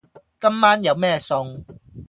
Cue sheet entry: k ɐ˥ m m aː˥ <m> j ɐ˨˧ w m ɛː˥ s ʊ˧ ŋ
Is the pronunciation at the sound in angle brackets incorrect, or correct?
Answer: incorrect